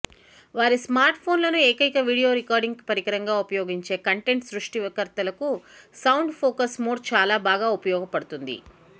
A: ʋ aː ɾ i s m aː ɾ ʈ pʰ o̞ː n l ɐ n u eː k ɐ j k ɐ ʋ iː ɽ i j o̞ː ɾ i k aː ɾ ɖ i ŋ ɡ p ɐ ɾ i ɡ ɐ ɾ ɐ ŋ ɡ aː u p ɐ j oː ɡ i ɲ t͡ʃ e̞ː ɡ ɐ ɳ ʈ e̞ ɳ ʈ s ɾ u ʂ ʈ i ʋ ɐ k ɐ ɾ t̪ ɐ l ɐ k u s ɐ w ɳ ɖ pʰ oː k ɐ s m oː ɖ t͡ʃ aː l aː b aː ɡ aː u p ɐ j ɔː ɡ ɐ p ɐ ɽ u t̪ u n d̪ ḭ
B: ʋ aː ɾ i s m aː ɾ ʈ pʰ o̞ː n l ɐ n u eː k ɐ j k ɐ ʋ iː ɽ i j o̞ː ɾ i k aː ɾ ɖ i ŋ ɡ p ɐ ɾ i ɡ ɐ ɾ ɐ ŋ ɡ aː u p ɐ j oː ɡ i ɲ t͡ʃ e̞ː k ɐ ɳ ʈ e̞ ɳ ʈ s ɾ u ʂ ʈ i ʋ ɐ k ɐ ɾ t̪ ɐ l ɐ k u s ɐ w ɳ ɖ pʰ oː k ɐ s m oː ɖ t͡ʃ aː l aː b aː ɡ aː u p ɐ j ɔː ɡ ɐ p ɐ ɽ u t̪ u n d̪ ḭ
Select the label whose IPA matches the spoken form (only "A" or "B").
B